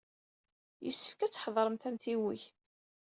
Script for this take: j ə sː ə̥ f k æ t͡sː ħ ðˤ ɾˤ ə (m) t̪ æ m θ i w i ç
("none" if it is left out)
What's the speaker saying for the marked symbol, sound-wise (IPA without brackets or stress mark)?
m